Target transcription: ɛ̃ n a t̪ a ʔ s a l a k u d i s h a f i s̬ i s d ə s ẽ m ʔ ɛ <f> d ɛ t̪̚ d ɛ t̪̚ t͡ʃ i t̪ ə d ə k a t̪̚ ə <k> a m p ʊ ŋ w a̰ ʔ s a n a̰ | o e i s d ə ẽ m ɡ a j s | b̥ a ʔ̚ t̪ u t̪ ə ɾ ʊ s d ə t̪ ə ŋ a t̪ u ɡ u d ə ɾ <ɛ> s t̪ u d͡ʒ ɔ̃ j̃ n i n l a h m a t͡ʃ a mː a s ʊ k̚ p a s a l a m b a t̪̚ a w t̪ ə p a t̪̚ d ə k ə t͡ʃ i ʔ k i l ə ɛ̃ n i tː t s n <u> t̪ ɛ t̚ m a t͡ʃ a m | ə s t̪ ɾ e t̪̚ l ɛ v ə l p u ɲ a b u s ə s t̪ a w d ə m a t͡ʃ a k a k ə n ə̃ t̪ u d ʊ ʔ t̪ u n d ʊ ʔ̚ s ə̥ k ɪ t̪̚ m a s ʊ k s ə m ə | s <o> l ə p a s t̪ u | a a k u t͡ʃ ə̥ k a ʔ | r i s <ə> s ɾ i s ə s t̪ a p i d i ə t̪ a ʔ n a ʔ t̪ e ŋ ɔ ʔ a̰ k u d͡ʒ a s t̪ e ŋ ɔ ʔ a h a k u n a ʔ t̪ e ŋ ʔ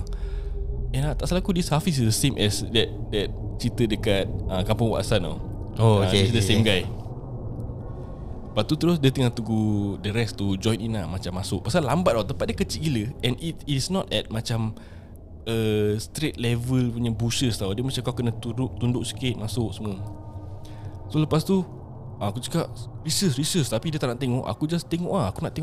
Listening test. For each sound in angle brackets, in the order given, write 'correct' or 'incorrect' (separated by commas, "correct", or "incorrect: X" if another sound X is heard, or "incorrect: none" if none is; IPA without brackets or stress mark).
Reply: incorrect: s, correct, correct, incorrect: ɔ, correct, correct